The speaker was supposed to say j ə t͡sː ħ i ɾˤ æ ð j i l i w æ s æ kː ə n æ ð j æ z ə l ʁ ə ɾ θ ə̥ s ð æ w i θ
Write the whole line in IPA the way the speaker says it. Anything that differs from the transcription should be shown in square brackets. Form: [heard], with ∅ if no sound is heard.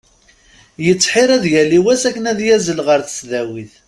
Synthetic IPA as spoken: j ə t͡sː ħ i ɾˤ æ ð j [æ] l i w æ s æ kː ə n æ ð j æ z ə l ʁ ə ɾ θ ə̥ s ð æ w i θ